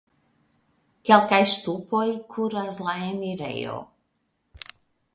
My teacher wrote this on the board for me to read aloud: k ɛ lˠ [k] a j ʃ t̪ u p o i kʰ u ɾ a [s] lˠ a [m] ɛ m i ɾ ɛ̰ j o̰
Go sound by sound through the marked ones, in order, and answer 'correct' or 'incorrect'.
correct, incorrect: z, incorrect: none

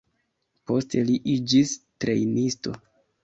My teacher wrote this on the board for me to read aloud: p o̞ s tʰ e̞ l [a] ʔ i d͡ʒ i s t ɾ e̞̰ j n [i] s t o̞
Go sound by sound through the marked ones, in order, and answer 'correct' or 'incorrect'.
incorrect: i, correct

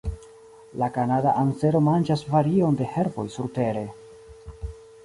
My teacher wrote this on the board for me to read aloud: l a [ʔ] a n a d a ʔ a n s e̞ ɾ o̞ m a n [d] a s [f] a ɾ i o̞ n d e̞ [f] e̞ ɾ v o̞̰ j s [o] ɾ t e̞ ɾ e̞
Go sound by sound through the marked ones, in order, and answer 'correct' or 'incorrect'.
incorrect: k, incorrect: d͡ʒ, incorrect: v, incorrect: h, incorrect: u

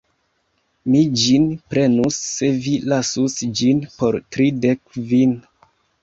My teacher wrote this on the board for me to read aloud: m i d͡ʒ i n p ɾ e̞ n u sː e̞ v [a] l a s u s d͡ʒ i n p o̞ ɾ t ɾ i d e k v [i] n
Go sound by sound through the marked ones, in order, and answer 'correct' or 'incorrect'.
incorrect: i, correct

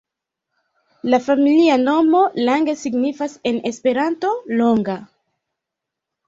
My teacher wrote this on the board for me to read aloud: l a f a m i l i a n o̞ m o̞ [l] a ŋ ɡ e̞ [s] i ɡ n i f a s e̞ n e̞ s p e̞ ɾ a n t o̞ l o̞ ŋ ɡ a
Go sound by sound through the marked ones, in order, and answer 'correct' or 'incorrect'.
correct, correct

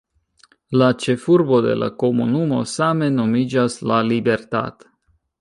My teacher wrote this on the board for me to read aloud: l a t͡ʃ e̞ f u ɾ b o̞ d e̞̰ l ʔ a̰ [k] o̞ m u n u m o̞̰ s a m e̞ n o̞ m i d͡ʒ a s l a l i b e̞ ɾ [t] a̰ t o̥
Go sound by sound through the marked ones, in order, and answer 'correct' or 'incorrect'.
correct, correct

